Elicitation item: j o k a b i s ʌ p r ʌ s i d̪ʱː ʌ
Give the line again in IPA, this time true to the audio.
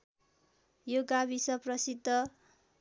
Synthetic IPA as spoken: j o ɡ a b i s ʌ p r ʌ s i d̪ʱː ʌ